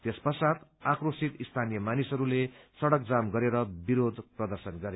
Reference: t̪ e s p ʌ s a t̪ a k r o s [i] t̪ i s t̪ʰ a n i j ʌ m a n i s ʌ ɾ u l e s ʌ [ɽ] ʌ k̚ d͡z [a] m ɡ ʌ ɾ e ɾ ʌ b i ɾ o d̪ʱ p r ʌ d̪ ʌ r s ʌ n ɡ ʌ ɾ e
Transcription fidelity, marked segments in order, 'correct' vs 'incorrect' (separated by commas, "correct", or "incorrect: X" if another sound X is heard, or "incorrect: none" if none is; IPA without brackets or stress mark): correct, correct, correct